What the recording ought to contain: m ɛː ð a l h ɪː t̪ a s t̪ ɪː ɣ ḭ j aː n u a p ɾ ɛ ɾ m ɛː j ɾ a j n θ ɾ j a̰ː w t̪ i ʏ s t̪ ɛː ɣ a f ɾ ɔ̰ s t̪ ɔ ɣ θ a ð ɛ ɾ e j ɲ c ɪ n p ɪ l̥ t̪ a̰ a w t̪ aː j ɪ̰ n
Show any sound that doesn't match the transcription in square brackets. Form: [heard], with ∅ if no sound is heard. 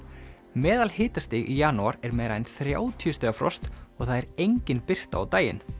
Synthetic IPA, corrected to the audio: m ɛː ð a l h ɪː t̪ a s t̪ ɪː ɣ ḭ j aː n u a [∅] ɾ ɛ ɾ m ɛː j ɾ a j n θ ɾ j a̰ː w [t̪ʰ] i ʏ s t̪ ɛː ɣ a f ɾ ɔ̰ s t̪ ɔ ɣ θ a ð ɛ ɾ e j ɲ c ɪ n p ɪ [r̥] t̪ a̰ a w t̪ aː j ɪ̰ n